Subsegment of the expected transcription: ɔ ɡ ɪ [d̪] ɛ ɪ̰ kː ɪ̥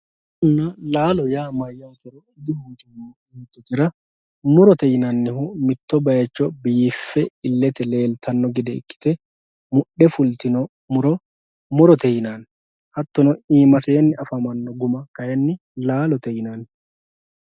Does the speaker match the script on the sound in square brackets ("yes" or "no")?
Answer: yes